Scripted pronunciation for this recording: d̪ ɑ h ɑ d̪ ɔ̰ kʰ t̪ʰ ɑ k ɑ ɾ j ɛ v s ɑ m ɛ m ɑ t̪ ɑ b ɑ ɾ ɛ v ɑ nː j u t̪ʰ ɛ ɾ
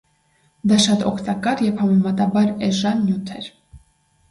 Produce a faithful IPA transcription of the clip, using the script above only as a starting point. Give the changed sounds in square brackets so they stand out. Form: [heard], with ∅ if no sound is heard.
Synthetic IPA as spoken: d̪ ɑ [ʃ] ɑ [t̪] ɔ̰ kʰ [t̪] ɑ k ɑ ɾ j ɛ v [h] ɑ m ɛ m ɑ t̪ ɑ b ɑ ɾ ɛ [ʒ] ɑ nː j u t̪ʰ ɛ ɾ